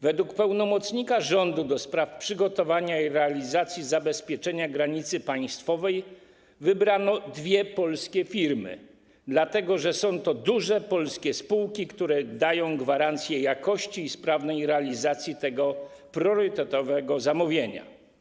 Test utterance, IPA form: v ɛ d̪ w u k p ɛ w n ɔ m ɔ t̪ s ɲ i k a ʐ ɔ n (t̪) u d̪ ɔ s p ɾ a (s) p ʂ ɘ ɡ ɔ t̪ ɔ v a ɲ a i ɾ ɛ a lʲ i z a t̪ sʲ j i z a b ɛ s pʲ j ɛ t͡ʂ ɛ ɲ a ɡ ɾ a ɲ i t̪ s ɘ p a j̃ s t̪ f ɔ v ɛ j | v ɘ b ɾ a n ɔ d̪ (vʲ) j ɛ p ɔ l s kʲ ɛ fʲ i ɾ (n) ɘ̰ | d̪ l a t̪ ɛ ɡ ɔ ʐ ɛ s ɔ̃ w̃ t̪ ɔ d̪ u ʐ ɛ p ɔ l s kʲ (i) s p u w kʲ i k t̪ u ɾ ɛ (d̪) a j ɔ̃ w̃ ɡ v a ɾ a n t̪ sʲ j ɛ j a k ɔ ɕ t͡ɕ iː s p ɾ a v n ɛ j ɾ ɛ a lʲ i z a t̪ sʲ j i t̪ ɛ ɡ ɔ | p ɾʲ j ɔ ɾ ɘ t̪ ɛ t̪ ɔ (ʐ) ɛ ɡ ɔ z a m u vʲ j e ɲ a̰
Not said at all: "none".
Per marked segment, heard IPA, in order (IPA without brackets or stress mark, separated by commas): d̪, f, vʲ, m, ɛ, d̪, v